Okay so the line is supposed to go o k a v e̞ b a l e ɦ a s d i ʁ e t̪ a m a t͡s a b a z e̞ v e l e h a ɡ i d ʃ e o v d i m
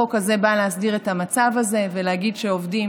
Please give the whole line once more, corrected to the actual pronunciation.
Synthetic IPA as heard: o k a z e̞ b a l e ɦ a s d i ʁ e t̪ a m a t͡s a v a z e̞ v e l e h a ɡ i d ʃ e o v d i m